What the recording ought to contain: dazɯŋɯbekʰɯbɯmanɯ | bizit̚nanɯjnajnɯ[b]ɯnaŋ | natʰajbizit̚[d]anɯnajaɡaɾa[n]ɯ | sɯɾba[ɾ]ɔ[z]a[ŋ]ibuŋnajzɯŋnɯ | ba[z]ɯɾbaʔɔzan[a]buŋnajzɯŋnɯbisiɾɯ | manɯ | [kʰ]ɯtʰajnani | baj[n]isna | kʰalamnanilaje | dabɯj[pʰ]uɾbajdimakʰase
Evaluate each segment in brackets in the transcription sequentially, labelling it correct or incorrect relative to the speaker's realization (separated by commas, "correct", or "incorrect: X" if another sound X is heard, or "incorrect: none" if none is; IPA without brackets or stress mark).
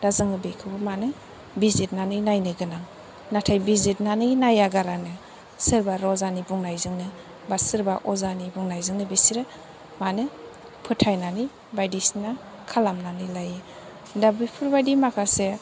incorrect: ɡ, incorrect: n, correct, correct, correct, incorrect: n, incorrect: s, incorrect: i, incorrect: pʰ, incorrect: d, correct